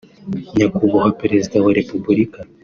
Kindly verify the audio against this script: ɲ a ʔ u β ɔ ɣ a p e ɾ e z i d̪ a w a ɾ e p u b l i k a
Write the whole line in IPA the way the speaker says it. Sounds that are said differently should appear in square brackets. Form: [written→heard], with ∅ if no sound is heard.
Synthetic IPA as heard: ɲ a [ʔ→k] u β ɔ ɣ a p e ɾ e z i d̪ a w a ɾ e p u b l i k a